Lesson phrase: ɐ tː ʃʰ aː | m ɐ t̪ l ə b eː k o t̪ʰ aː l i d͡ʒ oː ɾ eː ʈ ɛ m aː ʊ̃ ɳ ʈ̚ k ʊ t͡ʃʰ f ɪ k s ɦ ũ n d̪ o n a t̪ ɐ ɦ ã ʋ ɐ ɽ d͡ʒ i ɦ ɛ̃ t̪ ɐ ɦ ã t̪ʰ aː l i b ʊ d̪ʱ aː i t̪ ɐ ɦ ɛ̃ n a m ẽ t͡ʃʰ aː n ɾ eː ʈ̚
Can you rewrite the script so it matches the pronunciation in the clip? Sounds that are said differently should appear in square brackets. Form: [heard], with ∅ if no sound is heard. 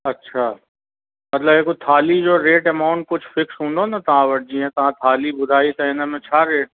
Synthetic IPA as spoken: ɐ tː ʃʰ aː | m ɐ t̪ l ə b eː k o t̪ʰ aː l i d͡ʒ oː ɾ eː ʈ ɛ m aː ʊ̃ ɳ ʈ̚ k ʊ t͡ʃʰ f ɪ k s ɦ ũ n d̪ o n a t̪ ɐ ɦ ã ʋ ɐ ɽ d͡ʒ i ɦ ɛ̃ t̪ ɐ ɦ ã t̪ʰ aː l i b ʊ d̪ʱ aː i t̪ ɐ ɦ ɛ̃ n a m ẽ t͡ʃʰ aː [∅] ɾ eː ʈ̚